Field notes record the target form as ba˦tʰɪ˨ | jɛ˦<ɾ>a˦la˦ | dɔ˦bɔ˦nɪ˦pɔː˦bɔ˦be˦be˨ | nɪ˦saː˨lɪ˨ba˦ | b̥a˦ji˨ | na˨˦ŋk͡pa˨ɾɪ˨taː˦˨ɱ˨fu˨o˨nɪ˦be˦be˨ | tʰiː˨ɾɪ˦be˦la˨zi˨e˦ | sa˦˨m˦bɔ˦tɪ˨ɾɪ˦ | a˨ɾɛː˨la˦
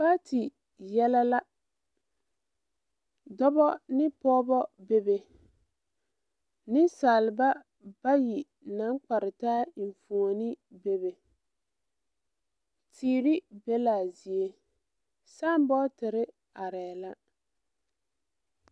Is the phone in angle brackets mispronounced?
yes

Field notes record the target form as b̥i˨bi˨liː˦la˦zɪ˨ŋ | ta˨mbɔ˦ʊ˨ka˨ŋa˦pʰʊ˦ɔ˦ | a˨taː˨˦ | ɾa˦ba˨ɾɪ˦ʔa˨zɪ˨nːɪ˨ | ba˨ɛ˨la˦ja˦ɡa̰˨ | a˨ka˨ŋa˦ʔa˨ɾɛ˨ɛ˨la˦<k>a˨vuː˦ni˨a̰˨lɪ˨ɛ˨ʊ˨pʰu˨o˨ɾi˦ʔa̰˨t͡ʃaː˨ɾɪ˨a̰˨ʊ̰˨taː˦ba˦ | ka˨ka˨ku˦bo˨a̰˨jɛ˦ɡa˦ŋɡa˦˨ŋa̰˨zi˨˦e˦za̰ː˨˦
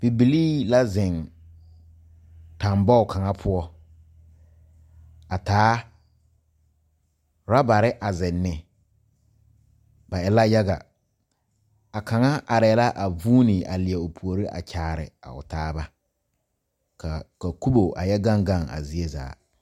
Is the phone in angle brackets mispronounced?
yes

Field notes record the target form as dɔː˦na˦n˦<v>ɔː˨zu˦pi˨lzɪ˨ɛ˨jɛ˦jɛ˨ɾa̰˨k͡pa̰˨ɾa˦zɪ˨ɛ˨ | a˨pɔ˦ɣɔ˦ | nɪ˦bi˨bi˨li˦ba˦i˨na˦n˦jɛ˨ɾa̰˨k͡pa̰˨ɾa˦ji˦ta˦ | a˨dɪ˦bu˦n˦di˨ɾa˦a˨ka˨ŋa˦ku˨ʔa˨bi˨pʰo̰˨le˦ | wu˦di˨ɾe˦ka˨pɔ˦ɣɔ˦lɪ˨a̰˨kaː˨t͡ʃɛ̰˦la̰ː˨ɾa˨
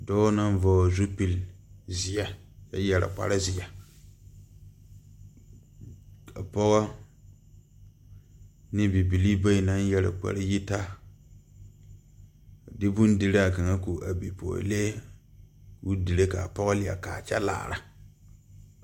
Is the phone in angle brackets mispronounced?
no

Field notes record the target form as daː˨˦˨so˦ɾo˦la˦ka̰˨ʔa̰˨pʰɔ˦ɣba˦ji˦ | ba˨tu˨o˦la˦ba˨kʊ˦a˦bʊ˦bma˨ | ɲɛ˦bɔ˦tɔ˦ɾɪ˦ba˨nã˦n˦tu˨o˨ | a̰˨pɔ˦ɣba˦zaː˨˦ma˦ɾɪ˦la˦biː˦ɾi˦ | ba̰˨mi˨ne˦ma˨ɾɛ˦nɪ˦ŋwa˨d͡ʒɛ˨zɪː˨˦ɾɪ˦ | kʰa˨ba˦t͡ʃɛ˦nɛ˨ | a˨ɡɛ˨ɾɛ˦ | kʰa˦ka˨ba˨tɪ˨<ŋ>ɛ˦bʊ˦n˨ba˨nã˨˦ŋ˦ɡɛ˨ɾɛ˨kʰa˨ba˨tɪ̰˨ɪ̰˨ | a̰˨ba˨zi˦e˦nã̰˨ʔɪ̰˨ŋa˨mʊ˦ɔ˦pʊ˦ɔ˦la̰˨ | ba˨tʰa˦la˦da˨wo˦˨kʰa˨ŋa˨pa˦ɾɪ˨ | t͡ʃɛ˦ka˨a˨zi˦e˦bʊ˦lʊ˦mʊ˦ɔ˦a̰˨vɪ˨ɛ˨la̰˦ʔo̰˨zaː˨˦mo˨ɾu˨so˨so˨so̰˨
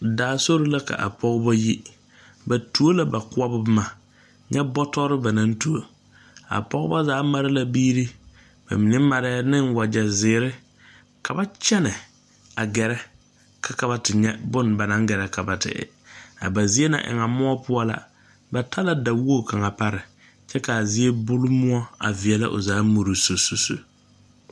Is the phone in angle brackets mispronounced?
yes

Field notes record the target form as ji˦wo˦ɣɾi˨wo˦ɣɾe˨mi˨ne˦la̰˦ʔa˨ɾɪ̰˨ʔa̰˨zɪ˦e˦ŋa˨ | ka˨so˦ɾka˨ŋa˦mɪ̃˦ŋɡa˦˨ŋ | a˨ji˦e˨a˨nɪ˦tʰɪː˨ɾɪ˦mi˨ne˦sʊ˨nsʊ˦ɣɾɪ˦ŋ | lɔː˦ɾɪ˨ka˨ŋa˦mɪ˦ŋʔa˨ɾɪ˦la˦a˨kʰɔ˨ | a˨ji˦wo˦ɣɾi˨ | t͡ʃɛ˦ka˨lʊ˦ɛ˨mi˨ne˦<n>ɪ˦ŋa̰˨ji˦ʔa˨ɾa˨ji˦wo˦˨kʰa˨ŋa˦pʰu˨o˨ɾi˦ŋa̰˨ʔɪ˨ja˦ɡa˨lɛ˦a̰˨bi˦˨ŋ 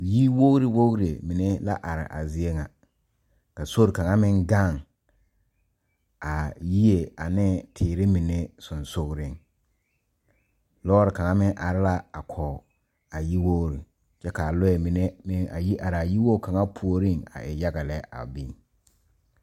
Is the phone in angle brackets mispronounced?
yes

